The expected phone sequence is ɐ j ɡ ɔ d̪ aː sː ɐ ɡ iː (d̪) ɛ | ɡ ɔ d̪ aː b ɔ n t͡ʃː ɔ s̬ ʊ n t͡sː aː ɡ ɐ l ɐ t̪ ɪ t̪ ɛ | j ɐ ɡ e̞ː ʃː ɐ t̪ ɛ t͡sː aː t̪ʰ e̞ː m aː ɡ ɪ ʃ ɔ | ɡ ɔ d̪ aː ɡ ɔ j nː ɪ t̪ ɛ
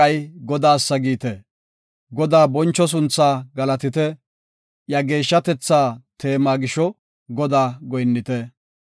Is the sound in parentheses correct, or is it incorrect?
incorrect